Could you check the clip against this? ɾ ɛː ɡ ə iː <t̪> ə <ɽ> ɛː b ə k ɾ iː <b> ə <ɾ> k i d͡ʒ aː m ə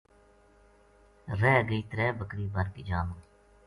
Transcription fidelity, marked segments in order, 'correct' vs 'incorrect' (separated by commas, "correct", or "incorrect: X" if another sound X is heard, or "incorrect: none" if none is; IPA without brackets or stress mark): correct, incorrect: ɾ, correct, correct